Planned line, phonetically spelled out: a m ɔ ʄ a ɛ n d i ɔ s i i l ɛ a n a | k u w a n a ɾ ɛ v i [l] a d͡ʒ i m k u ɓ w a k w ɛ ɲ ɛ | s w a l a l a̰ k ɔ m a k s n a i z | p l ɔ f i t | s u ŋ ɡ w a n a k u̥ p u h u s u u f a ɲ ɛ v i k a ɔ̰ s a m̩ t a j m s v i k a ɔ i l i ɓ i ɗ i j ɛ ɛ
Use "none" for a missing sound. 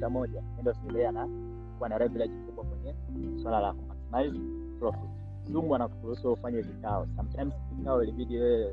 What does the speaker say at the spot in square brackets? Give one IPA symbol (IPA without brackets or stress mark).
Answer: l